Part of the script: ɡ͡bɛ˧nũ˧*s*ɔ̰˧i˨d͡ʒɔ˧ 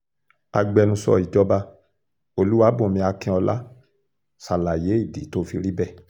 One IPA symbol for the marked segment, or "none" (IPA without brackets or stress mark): s